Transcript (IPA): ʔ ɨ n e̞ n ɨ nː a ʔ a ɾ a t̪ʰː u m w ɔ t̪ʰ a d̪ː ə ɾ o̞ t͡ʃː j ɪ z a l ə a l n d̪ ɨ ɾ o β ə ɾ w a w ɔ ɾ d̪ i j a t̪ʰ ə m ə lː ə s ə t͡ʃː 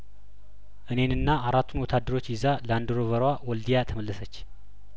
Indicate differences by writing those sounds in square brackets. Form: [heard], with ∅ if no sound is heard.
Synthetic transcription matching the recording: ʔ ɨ n e̞ n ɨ nː a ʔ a ɾ a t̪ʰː u [n] w ɔ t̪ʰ a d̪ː ə ɾ o̞ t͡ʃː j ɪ z a l ə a [∅] n d̪ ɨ ɾ o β ə ɾ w a w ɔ [l] d̪ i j a t̪ʰ ə m ə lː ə s ə t͡ʃː